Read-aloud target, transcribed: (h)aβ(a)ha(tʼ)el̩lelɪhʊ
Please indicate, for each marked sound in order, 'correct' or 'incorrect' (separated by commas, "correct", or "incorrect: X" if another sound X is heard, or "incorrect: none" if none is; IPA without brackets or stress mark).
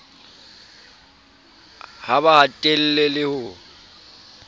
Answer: correct, correct, correct